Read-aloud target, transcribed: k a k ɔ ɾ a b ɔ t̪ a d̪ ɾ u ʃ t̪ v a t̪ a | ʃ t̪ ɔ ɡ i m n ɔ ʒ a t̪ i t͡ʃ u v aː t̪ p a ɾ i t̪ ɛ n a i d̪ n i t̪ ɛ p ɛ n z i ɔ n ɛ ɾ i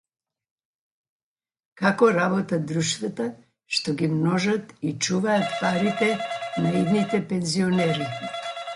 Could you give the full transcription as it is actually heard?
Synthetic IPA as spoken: k a k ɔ ɾ a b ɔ t̪ a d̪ ɾ u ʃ t̪ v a t̪ a | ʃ t̪ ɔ ɡ i m n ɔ ʒ a t̪ i t͡ʃ u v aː t̪ p a ɾ i t̪ ɛ n a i d̪ n i t̪ ɛ p ɛ n z i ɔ n ɛ ɾ i